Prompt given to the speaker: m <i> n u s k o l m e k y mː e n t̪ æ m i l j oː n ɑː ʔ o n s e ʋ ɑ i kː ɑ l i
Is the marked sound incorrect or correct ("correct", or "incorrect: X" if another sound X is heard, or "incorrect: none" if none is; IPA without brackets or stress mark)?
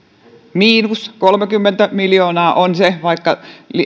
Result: incorrect: iː